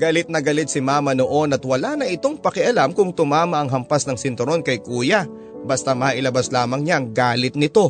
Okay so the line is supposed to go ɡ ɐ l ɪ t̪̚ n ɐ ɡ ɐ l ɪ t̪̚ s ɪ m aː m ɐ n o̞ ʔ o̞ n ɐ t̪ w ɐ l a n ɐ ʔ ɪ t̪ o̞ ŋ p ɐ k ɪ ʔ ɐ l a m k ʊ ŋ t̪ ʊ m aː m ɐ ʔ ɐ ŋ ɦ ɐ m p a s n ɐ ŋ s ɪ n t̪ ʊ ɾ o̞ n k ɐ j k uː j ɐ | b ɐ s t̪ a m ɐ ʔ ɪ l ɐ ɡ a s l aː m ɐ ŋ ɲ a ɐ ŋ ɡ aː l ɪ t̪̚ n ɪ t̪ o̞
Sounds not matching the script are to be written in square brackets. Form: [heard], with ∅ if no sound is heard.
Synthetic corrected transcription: ɡ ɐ l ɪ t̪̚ n ɐ ɡ ɐ l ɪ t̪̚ s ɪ m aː m ɐ n o̞ ʔ o̞ n ɐ t̪ w ɐ l a n ɐ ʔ ɪ t̪ o̞ ŋ p ɐ k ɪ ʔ ɐ l a m k ʊ ŋ t̪ ʊ m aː m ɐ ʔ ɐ ŋ ɦ ɐ m p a s n ɐ ŋ s ɪ n t̪ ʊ ɾ o̞ n k ɐ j k uː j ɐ | b ɐ s t̪ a m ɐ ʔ ɪ l ɐ [b] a s l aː m ɐ ŋ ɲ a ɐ ŋ ɡ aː l ɪ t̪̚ n ɪ t̪ o̞